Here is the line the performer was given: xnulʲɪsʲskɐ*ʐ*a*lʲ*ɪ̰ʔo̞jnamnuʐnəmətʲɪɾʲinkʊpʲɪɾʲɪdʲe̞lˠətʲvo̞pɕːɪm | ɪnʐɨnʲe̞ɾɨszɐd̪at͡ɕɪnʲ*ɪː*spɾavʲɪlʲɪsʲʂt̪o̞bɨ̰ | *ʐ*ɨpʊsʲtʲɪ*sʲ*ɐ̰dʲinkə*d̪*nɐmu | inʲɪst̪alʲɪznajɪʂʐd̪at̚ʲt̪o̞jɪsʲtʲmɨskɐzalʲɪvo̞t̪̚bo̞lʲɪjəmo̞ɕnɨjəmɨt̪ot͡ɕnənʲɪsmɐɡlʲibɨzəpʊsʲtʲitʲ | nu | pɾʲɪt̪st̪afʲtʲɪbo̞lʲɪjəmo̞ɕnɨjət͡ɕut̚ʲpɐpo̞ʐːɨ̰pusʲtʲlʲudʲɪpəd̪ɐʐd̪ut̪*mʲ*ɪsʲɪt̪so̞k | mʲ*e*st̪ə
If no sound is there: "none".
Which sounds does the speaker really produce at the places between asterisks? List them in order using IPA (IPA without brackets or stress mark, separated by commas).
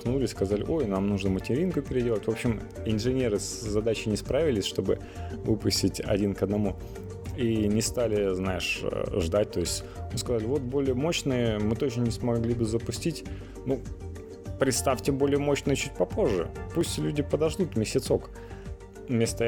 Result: z, lʲ, ɪ, v, tʲ, d̪, mʲ, e